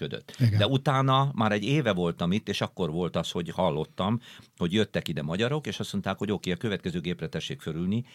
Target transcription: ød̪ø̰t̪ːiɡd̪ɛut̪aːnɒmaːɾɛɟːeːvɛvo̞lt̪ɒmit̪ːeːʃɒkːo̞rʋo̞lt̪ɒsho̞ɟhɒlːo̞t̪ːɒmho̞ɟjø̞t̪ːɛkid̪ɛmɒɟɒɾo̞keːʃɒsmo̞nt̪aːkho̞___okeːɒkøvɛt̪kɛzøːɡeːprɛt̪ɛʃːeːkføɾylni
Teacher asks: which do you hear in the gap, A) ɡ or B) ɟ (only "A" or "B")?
B